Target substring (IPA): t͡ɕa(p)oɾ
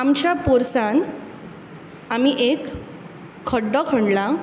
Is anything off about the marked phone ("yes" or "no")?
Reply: no